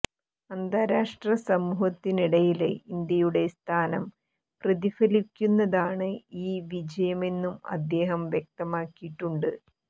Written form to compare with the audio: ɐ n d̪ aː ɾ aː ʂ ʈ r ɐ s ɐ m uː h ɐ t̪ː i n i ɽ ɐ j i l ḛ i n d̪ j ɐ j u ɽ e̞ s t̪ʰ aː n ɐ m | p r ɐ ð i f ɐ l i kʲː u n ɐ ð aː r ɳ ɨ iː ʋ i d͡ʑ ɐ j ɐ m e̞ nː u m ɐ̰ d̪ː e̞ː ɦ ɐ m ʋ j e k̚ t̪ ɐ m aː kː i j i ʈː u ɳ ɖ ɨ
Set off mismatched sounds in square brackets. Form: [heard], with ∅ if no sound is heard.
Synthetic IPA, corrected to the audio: ɐ n d̪ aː ɾ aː ʂ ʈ r ɐ s ɐ m uː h ɐ t̪ː i n i ɽ ɐ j i l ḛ i n d̪ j ɐ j u ɽ e̞ s t̪ʰ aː n ɐ m | p r ɐ ð i f ɐ l i kʲː u [nː] ɐ ð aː [∅] ɳ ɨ iː ʋ i d͡ʑ ɐ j ɐ m e̞ nː u m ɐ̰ d̪ː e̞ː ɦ ɐ m ʋ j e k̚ t̪ ɐ m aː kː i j i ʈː u ɳ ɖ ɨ